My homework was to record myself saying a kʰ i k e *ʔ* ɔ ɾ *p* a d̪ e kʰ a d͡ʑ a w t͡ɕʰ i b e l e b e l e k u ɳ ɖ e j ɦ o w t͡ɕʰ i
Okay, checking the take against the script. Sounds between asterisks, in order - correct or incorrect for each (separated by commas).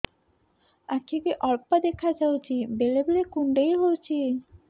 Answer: correct, correct